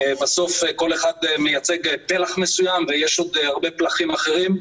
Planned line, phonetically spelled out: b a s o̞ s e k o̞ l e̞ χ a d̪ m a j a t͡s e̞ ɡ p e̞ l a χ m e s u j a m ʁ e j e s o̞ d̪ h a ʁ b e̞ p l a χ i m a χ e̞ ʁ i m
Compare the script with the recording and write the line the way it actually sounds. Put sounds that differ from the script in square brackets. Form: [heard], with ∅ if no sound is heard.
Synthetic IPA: b a s o̞ [f] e k o̞ l e̞ χ a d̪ m [e] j a t͡s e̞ ɡ p e̞ l a χ m e s u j a m [v] e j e [ʃ] o̞ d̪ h a ʁ b e̞ p l a χ i m a χ e̞ ʁ i m